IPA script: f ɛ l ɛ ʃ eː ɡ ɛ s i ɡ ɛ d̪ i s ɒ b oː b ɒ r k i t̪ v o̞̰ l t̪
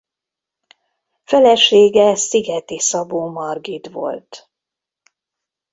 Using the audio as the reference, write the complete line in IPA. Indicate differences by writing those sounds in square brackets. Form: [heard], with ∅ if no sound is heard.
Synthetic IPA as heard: f ɛ l ɛ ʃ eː ɡ ɛ s i ɡ ɛ [t̪] i s ɒ b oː [m] ɒ r [ɡ] i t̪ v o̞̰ l t̪